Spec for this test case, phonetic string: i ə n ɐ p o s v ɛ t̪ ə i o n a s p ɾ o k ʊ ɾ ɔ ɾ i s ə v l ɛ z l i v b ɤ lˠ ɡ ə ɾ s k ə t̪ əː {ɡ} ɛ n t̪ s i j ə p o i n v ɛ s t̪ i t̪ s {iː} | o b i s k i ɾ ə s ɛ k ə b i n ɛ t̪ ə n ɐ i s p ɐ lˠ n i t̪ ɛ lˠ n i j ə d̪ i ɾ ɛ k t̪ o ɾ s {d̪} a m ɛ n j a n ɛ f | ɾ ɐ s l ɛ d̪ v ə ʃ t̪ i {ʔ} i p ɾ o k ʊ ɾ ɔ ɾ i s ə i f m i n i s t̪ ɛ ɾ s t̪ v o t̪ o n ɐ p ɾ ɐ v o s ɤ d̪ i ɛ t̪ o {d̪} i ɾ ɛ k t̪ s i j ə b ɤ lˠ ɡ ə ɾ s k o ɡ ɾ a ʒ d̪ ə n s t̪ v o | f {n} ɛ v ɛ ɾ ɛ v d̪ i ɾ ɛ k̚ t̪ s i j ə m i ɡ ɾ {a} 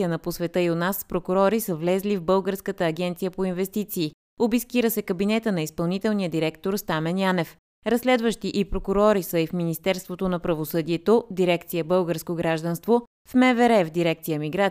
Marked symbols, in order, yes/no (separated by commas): yes, yes, no, yes, yes, no, yes